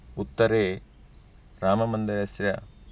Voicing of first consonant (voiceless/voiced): voiceless